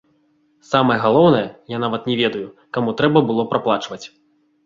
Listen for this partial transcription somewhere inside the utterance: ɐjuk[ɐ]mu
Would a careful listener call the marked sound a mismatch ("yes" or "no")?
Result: yes